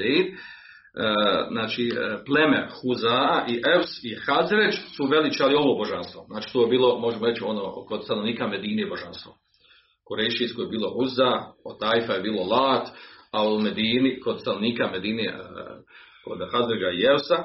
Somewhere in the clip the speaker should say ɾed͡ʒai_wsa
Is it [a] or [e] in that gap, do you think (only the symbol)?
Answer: e